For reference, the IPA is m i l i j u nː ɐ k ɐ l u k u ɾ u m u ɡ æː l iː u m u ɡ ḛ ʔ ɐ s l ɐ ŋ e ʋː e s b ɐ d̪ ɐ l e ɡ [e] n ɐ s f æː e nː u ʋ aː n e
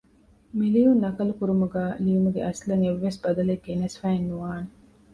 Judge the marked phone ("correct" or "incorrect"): correct